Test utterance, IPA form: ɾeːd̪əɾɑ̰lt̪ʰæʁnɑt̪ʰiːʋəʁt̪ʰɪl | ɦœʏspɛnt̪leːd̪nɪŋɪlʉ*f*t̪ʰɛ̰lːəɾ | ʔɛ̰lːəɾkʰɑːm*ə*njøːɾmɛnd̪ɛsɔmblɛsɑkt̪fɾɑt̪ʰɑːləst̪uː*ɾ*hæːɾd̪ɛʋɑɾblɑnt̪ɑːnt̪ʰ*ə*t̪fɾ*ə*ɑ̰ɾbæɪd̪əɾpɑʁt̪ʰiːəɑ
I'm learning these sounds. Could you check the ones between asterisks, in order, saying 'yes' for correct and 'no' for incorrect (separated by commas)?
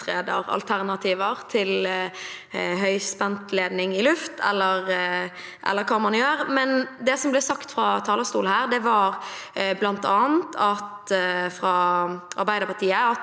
yes, no, no, no, no